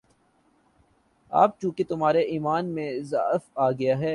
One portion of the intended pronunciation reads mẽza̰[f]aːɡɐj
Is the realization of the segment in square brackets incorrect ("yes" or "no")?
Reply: no